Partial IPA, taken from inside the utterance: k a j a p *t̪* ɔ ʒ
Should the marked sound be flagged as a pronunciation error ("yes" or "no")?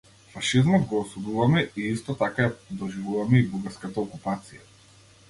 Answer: yes